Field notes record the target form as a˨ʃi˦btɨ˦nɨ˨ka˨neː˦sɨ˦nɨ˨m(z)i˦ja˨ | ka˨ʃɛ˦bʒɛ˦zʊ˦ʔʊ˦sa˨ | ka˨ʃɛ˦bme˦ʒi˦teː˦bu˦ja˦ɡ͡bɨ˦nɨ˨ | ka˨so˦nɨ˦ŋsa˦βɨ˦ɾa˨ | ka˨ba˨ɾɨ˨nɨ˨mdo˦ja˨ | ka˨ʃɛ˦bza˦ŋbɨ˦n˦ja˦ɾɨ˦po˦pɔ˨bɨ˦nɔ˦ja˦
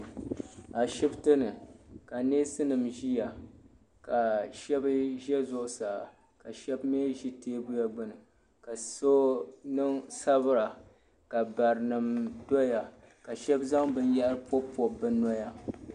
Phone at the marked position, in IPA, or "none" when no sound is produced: ʒ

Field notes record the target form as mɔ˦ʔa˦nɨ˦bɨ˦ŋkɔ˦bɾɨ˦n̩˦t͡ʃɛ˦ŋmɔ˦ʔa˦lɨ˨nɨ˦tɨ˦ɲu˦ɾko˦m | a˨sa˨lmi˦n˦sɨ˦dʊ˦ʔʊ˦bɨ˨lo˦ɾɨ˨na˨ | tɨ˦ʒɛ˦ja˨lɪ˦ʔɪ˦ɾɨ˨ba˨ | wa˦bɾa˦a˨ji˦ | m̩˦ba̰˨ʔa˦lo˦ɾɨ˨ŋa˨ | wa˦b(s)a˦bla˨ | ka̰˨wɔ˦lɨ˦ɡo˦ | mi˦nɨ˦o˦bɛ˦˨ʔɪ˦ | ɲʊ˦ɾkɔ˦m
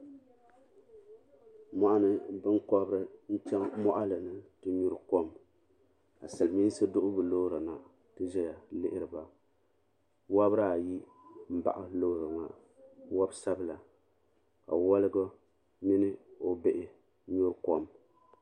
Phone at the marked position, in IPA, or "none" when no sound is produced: s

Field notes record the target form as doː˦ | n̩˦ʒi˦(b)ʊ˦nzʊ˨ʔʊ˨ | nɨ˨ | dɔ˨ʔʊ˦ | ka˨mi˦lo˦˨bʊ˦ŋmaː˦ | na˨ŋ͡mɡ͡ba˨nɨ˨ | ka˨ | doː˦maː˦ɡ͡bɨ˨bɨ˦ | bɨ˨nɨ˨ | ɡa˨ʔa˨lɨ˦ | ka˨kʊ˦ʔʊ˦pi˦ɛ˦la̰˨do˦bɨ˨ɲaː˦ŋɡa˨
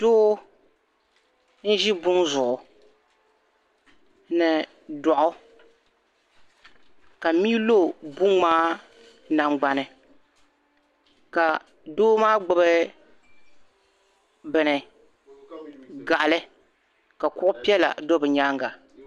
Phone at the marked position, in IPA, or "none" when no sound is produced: b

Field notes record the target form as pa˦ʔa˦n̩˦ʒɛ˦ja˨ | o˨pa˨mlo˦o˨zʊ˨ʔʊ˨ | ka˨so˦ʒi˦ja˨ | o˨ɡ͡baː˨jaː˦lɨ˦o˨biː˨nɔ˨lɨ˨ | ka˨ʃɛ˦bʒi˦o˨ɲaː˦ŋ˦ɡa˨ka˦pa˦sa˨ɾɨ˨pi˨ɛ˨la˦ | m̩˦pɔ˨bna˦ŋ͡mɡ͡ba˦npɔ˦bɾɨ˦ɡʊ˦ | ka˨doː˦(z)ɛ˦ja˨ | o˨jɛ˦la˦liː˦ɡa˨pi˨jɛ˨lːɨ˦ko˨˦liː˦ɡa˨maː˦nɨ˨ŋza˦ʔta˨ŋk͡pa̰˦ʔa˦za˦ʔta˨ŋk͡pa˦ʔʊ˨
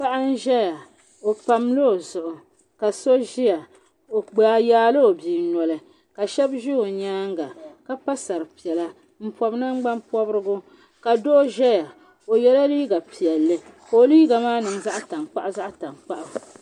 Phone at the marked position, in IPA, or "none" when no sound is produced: ʒ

